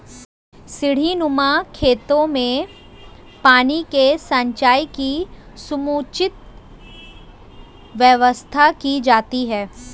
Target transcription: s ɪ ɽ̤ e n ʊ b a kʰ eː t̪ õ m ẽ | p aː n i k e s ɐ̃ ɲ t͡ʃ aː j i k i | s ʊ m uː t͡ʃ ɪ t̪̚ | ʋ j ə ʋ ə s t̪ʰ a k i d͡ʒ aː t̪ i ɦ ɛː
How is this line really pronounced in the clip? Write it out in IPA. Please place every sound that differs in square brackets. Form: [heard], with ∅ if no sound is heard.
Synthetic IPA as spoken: s ɪ ɽ̤ [i] n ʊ [m] a kʰ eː t̪ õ m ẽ | p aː n i k e s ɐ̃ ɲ t͡ʃ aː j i k i | s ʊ m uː t͡ʃ ɪ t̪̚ | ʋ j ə ʋ ə s t̪ʰ a k i d͡ʒ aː t̪ i ɦ ɛː